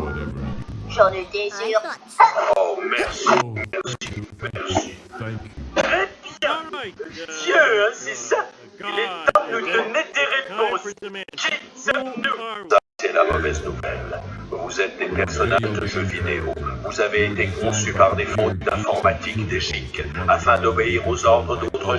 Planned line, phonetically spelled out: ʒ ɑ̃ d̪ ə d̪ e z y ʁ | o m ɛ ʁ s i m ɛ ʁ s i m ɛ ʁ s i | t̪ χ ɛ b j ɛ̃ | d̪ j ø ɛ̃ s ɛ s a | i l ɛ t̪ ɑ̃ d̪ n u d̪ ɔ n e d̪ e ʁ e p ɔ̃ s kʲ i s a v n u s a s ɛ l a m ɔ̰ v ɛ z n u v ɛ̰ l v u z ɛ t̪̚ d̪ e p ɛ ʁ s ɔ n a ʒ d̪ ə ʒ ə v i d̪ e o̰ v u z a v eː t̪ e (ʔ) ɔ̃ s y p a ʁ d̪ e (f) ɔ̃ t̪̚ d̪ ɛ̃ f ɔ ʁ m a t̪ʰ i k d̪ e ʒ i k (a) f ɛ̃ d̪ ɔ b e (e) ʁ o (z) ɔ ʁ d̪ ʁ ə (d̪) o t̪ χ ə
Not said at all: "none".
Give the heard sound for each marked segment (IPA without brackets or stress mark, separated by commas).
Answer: k, f, a, i, z, d̪